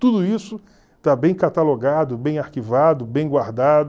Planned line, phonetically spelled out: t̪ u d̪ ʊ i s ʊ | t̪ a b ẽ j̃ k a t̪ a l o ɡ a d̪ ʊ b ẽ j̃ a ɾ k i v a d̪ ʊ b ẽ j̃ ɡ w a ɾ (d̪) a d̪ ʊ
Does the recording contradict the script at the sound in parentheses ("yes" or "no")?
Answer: no